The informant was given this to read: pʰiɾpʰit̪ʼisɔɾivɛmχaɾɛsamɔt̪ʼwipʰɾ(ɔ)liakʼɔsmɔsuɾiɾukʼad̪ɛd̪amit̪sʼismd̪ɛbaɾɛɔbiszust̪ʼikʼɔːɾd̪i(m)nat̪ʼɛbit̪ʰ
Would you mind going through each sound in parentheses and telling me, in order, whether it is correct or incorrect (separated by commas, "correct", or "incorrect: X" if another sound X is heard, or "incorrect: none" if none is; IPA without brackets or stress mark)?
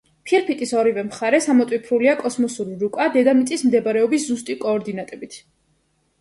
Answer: incorrect: u, incorrect: none